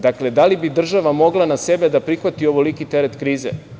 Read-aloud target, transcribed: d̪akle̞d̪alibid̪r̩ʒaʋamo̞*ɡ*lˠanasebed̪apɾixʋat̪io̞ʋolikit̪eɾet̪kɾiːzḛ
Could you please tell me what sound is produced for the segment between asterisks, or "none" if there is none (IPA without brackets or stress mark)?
ɡ